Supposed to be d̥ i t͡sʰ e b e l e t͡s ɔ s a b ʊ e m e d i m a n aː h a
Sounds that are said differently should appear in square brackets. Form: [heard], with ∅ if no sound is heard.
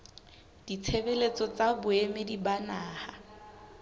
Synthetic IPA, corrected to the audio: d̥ i t͡sʰ e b e l e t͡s ɔ [t͡s] a b ʊ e m e d i [b] a n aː h a